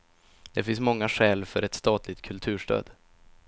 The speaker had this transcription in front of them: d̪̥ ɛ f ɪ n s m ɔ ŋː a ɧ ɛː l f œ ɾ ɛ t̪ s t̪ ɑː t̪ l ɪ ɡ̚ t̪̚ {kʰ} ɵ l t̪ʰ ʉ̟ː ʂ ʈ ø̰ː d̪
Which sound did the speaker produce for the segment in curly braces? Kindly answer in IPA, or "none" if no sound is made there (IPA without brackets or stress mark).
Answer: kʰ